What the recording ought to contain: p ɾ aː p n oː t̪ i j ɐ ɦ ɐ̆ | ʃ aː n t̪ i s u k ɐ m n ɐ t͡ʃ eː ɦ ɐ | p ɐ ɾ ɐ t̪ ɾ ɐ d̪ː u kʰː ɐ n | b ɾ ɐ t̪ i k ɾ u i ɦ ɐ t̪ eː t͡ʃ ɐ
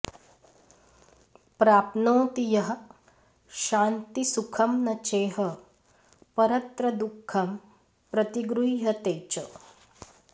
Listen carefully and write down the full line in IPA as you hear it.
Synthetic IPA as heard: p ɾ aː p n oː t̪ i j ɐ ɦ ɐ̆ | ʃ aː n t̪ i s u kʰ ɐ m n ɐ t͡ʃ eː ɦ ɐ | p ɐ ɾ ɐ t̪ ɾ ɐ d̪ u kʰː ɐ m | p ɾ ɐ t̪ i ɡ ɾ u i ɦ ɐ t̪ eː t͡ʃ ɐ

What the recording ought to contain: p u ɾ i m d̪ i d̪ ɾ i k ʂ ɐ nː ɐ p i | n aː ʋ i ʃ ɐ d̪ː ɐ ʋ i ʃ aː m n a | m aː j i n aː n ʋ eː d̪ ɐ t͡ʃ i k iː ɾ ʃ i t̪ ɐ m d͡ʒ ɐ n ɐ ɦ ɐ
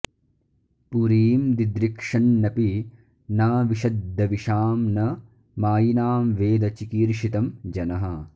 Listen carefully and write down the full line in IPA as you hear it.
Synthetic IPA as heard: p u ɾ iː m d̪ i d̪ ɾ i k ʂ ɐ nː ɐ p i | n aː ʋ i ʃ ɐ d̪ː ɐ ʋ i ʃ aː m n ɐ | m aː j i n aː m ʋ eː d̪ ɐ t͡ʃ i k iː ɾ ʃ i t̪ ɐ m d͡ʒ ɐ n ɐ ɦ ɐ

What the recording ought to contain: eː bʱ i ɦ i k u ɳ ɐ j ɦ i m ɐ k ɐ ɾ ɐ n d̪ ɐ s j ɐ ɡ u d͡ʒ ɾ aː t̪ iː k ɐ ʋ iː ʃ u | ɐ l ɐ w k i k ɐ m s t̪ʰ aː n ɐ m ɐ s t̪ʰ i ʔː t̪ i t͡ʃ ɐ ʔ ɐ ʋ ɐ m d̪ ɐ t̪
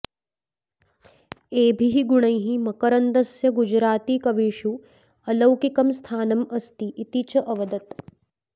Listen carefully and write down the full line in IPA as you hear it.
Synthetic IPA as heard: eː bʱ i ɦ i ɡ u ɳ ɐ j ɦ i m ɐ k ɐ ɾ ɐ n d̪ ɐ s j ɐ ɡ u d͡ʒ ɾ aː t̪ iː k ɐ ʋ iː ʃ u | ɐ l ɐ w k i k ɐ m s t̪ʰ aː n ɐ m ɐ s t̪ i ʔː t̪ i t͡ʃ ɐ ʔ ɐ ʋ ɐ d̪ ɐ t̪

